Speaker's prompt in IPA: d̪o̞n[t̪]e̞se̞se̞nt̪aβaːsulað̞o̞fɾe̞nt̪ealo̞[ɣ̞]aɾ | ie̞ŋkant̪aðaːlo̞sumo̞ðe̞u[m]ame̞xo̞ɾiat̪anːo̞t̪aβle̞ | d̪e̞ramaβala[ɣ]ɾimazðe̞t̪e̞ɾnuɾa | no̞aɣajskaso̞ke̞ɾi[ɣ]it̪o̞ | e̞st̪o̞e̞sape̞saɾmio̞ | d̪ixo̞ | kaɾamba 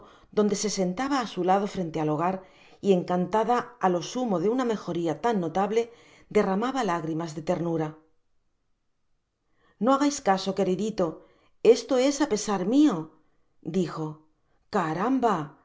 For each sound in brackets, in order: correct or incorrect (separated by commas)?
incorrect, correct, incorrect, correct, incorrect